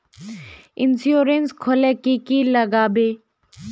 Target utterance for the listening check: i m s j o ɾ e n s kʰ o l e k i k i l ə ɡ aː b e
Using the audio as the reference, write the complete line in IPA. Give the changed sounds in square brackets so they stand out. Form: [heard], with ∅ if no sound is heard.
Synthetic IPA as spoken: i [n] s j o ɾ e n s kʰ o l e k i k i l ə ɡ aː b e